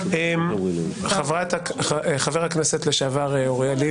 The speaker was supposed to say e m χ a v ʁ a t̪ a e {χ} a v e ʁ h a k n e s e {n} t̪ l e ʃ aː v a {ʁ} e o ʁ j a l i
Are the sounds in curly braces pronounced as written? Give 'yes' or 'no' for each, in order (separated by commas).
yes, no, yes